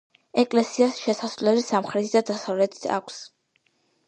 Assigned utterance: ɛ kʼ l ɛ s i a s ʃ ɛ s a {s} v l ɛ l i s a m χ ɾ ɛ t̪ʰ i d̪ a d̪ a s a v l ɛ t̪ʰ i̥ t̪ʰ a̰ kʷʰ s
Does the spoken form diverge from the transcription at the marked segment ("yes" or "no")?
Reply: no